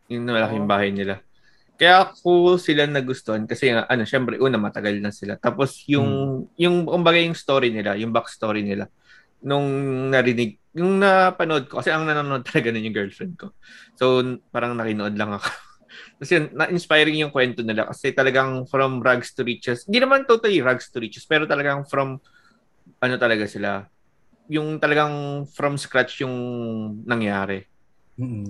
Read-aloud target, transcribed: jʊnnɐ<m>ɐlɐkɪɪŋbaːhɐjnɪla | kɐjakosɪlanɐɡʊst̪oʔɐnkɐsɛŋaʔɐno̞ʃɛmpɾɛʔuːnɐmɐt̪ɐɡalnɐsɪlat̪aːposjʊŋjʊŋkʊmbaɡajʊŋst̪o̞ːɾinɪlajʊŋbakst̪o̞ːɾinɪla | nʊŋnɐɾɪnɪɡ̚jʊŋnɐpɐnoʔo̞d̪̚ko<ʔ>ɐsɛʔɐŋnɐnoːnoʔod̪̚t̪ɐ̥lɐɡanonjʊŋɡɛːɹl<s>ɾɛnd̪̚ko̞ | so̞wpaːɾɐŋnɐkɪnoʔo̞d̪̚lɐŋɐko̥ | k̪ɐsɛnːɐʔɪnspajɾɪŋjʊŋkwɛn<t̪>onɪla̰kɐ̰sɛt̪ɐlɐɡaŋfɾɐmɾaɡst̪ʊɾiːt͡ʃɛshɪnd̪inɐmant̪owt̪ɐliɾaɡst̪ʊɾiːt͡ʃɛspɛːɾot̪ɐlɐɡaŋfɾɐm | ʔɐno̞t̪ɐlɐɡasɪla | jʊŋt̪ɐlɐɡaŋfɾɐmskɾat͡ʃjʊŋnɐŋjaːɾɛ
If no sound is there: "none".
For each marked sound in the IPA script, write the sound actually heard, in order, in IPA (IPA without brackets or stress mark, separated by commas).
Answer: m, k, f, t̪